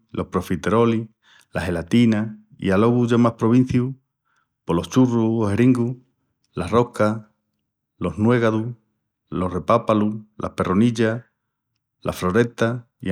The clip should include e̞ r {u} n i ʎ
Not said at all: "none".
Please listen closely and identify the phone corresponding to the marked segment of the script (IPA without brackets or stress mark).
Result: o